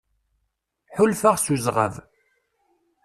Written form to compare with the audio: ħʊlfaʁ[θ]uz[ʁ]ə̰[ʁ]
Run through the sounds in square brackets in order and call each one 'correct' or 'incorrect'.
incorrect, correct, incorrect

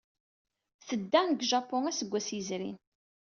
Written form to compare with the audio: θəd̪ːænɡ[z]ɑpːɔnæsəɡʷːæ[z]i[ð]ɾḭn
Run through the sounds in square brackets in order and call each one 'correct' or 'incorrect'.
incorrect, incorrect, incorrect

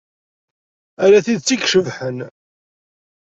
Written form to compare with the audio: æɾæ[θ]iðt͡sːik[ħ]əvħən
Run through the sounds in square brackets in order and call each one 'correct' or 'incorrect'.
correct, incorrect

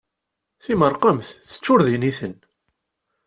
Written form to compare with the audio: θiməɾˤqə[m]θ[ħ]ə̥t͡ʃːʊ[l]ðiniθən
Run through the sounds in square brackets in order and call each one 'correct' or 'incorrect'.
correct, incorrect, incorrect

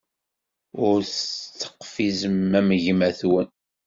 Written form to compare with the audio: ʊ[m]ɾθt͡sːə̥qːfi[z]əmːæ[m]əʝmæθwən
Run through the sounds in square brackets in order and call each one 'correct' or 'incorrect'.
incorrect, correct, correct

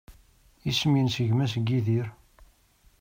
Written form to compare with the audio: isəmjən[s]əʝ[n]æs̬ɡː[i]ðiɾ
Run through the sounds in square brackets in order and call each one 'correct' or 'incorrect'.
correct, incorrect, correct

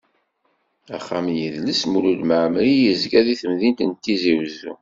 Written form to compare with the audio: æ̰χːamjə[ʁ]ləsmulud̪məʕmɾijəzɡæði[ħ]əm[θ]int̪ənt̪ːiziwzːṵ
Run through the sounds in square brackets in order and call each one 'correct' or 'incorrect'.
incorrect, incorrect, incorrect

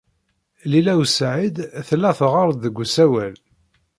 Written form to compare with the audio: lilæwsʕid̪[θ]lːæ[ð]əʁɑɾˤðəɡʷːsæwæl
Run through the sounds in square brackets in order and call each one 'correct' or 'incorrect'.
correct, incorrect

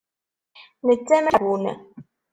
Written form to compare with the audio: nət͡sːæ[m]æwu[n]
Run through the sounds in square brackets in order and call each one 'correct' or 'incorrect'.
correct, correct

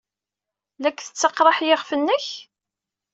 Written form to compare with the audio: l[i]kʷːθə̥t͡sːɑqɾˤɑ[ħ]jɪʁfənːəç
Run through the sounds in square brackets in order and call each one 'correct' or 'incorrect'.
incorrect, correct

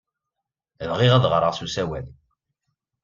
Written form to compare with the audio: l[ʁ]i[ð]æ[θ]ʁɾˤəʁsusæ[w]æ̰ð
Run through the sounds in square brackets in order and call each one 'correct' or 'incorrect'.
correct, incorrect, incorrect, correct

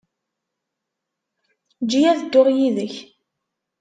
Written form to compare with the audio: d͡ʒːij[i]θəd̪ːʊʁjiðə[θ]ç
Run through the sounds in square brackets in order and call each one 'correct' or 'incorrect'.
incorrect, incorrect

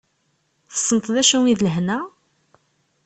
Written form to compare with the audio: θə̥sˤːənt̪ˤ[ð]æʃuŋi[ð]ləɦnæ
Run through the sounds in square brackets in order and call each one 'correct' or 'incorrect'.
correct, correct

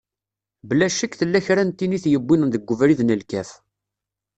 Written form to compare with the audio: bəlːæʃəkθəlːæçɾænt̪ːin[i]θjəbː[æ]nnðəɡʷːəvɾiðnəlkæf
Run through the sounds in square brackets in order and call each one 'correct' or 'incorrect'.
correct, incorrect

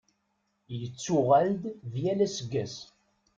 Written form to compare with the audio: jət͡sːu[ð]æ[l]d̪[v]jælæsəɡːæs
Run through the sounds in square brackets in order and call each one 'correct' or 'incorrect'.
incorrect, correct, correct

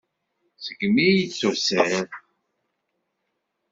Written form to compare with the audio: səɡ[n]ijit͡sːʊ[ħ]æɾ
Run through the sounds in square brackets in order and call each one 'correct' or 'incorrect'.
incorrect, incorrect

